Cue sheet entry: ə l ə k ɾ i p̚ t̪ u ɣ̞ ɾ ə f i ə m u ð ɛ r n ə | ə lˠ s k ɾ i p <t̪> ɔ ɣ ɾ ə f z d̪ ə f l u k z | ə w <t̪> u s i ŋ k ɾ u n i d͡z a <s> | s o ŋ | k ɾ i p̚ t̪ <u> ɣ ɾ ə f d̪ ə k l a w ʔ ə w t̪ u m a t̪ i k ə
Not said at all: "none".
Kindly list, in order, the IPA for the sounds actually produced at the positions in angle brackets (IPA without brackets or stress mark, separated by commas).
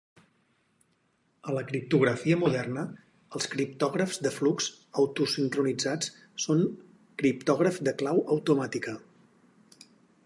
t̪, t̪, t͡s, ɔ